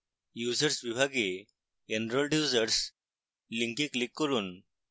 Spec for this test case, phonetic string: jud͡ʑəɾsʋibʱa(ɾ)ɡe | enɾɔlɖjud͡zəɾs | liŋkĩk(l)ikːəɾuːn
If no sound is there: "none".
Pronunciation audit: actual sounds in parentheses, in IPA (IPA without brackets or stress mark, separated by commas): none, l